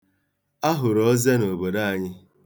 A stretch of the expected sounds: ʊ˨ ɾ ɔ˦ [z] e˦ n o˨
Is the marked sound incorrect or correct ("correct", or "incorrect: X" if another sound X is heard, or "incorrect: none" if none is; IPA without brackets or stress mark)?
correct